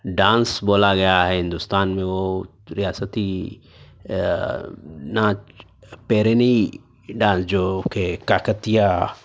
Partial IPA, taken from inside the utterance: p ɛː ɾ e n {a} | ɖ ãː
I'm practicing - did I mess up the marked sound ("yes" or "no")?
yes